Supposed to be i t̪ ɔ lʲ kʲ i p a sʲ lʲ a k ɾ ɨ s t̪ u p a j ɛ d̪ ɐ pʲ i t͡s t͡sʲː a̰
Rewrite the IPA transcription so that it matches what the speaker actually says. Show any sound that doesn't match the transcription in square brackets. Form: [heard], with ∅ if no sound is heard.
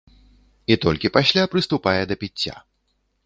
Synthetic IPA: i t̪ ɔ lʲ kʲ i p a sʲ lʲ a [p] ɾ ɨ s t̪ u p a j ɛ d̪ ɐ pʲ i t͡s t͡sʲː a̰